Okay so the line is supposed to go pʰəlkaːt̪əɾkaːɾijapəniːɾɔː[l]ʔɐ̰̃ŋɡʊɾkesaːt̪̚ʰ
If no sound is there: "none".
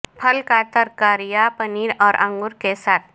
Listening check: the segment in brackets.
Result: ɾ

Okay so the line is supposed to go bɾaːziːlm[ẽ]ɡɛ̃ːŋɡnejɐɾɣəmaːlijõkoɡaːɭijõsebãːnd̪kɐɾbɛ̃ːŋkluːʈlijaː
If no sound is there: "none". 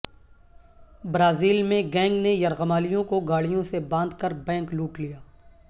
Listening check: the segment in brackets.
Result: ẽ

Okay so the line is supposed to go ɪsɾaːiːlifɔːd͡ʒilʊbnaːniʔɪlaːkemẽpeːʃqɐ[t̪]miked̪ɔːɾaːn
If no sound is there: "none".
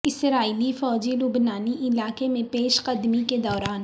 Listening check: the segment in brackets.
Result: d̪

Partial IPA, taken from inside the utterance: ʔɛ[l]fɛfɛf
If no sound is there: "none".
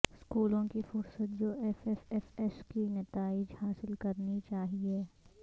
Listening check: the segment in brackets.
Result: none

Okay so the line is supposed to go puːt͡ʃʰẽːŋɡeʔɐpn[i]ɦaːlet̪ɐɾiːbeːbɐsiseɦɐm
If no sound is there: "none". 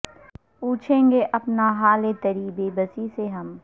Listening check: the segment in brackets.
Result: a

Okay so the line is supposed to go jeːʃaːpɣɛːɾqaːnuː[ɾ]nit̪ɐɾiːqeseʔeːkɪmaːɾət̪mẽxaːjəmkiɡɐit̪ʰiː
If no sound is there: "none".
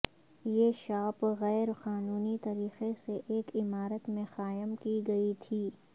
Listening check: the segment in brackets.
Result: none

